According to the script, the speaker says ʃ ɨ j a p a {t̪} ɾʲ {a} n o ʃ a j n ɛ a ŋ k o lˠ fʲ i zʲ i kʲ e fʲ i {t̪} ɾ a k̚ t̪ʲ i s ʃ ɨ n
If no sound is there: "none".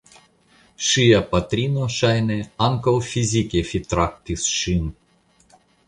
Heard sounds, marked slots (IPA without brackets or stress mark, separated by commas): t̪, i, t̪